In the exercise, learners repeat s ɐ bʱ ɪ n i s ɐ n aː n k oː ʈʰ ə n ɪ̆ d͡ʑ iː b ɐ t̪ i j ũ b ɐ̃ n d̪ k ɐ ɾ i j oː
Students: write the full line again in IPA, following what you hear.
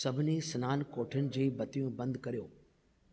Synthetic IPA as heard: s ɐ bʱ ɪ n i s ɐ n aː n k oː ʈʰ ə n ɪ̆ d͡ʑ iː b ɐ t̪ i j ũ b ɐ̃ n d̪ k ɐ ɾ i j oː